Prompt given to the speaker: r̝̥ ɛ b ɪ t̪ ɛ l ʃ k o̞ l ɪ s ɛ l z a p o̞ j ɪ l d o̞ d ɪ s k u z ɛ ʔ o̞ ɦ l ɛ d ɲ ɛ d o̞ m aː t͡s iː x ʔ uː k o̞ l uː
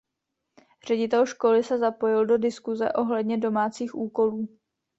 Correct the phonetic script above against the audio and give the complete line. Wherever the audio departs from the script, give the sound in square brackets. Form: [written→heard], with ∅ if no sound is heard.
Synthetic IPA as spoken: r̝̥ ɛ [b→ɟ] ɪ t̪ ɛ l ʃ k o̞ l ɪ s ɛ [l→∅] z a p o̞ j ɪ l d o̞ d ɪ s k u z ɛ ʔ o̞ ɦ l ɛ d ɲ ɛ d o̞ m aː t͡s iː x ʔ uː k o̞ l uː